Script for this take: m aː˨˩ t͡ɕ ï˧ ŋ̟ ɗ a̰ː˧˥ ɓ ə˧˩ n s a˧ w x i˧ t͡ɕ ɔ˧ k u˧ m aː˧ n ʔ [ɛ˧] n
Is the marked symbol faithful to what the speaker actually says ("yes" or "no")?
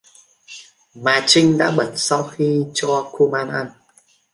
no